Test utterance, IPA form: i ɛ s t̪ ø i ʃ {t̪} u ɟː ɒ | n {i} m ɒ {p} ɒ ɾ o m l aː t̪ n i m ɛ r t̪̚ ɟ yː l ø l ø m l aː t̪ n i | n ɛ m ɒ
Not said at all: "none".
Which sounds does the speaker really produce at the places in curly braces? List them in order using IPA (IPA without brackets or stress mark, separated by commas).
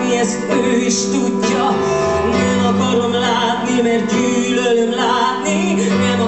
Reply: t̪, ɛ, k